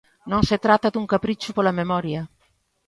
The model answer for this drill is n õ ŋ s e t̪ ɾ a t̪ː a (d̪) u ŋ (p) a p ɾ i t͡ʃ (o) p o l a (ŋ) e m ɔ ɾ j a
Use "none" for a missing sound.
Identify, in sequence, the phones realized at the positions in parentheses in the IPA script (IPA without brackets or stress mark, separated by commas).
d̪, k, u, m